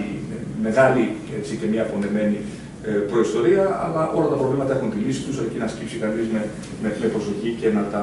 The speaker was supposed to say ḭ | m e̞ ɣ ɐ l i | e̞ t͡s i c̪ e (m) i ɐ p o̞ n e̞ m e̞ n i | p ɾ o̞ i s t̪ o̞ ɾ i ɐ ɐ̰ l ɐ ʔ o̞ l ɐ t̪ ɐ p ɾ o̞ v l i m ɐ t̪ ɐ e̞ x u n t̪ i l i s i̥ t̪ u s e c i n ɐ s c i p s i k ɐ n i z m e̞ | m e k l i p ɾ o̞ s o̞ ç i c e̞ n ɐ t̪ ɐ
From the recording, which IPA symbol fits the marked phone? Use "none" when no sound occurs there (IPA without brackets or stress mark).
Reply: m